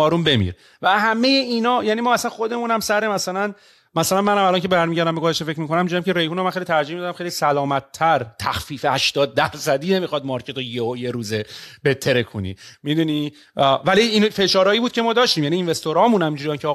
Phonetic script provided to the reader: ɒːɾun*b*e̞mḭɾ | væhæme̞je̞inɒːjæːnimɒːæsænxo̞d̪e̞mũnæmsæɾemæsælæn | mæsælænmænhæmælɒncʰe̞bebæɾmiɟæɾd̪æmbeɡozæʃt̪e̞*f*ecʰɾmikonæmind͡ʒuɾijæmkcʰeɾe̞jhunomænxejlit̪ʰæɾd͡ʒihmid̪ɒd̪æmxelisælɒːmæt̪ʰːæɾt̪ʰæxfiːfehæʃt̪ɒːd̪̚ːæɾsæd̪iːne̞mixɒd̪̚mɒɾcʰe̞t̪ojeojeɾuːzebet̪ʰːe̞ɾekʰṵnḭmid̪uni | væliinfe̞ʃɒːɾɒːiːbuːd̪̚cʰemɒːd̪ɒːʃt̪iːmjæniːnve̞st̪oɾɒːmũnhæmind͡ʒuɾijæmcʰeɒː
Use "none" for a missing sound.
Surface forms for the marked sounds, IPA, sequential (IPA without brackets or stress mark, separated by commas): b, f